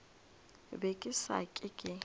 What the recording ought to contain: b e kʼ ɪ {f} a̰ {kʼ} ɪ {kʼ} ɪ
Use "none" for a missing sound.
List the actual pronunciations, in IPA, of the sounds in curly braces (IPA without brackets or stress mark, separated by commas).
s, kʼ, kʼ